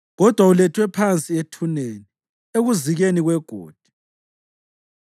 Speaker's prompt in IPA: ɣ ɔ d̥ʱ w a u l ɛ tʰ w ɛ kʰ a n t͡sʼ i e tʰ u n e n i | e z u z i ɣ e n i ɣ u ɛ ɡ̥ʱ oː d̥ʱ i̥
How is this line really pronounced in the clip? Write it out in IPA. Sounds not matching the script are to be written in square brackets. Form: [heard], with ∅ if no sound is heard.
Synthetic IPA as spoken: ɣ ɔ d̥ʱ w a u l ɛ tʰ w ɛ [pʰ] a n t͡sʼ i e tʰ u n e n i | e [ɣ] u z i ɣ e n i ɣ [w] ɛ ɡ̥ʱ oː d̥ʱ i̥